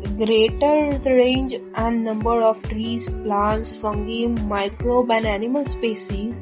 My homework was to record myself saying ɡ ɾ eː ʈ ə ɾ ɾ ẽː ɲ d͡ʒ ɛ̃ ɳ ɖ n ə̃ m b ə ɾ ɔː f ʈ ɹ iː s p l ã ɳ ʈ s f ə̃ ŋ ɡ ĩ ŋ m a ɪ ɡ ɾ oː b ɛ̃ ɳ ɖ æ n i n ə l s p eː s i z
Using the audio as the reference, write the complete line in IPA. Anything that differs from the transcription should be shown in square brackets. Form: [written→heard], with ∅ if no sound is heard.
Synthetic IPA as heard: ɡ ɾ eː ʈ ə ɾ ɾ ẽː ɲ d͡ʒ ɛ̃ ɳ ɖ n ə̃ m b ə ɾ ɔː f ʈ [ɹ→ɾ] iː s p l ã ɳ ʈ s f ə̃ ŋ ɡ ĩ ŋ m a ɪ [ɡ→k] ɾ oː b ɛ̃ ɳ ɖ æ n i [n→m] ə l s p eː s i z